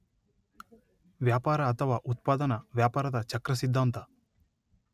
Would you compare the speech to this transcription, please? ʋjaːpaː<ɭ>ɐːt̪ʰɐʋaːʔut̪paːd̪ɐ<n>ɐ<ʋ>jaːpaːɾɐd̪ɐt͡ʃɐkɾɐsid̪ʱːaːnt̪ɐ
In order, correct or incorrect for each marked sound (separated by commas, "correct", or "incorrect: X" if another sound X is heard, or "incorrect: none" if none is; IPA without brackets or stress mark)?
incorrect: ɾ, correct, correct